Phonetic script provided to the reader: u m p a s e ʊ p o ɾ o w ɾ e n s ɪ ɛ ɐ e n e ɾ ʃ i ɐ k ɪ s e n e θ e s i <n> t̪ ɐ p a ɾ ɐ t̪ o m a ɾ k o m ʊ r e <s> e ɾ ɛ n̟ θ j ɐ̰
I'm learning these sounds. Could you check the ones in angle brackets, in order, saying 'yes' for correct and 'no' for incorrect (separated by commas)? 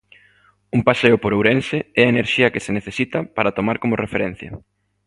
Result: no, no